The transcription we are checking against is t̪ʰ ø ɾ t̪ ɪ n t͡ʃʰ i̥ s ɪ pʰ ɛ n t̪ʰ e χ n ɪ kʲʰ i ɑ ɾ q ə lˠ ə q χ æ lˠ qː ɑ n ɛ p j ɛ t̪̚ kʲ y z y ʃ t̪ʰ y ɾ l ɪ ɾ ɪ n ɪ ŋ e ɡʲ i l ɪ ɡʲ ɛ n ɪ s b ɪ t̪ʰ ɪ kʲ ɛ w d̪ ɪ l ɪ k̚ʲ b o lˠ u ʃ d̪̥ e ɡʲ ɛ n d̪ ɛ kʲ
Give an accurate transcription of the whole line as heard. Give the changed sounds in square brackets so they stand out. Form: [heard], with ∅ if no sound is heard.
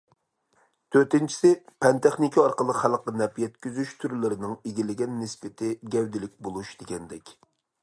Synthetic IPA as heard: t̪ʰ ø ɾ t̪ ɪ n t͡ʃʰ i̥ s ɪ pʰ ɛ n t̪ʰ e χ n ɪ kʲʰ i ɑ ɾ q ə lˠ ə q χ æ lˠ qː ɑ n ɛ p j ɛ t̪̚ kʲ y z y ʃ t̪ʰ y ɾ l ɪ ɾ ɪ n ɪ ŋ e ɡʲ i l ɪ ɡʲ ɛ [nː] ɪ s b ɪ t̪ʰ ɪ [ɡʲ] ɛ w d̪ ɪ l ɪ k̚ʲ b o lˠ u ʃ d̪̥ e ɡʲ ɛ n d̪ ɛ kʲ